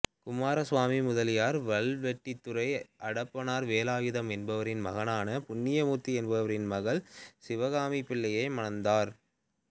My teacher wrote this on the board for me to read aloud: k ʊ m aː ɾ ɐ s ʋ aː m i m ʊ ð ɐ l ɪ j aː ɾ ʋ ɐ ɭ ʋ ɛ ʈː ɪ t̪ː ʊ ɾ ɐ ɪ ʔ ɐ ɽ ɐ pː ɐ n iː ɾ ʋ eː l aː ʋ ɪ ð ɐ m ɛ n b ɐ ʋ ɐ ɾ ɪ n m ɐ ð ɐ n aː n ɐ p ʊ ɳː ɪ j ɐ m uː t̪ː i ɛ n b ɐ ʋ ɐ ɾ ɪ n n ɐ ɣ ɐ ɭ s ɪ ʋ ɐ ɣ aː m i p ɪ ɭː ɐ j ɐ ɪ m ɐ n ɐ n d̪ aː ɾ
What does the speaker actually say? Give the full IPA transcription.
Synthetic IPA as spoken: k ʊ m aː ɾ ɐ s ʋ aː m i m ʊ ð ɐ l ɪ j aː ɾ ʋ ɐ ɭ ʋ ɛ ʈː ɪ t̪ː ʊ ɾ ɐ ɪ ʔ ɐ ɽ ɐ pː ɐ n aː ɾ ʋ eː l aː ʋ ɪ ð ɐ m ɛ n b ɐ ʋ ɐ ɾ ɪ n m ɐ ɣ ɐ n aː n ɐ p ʊ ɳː ɪ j ɐ m uː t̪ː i ɛ n b ɐ ʋ ɐ ɾ ɪ n m ɐ ɣ ɐ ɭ s ɪ ʋ ɐ ɣ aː m i p ɪ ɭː ɐ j ɐ ɪ m ɐ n ɐ n d̪ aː ɾ